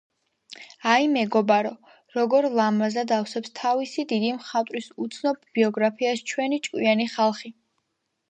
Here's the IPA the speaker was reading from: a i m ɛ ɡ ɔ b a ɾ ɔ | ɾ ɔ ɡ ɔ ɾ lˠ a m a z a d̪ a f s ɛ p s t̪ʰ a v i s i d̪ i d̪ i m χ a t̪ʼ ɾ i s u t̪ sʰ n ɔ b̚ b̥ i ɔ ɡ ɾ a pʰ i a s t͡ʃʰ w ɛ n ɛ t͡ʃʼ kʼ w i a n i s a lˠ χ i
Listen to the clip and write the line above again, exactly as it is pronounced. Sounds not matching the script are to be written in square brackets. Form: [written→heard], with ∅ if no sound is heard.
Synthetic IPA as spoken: a i m ɛ ɡ ɔ b a ɾ ɔ | ɾ ɔ ɡ ɔ ɾ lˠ a m a z a d̪ a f s ɛ p s t̪ʰ a v i s i d̪ i d̪ i m χ a t̪ʼ ɾ i s u t̪ sʰ n ɔ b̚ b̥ i ɔ ɡ ɾ a pʰ i a s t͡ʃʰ w ɛ n [ɛ→i] t͡ʃʼ kʼ w i a n i [s→χ] a lˠ χ i